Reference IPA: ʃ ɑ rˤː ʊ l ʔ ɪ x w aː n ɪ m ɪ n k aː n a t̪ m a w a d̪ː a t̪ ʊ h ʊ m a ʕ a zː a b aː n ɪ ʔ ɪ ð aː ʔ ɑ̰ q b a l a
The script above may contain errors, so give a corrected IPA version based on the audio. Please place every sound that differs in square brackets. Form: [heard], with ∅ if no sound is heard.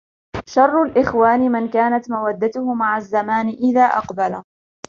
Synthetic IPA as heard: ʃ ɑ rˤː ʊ l ʔ ɪ x w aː n ɪ m ɪ n k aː n a t̪ m a w a d̪ː a t̪ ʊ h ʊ m a ʕ a zː a [m] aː n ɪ ʔ ɪ ð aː ʔ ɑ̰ q b a l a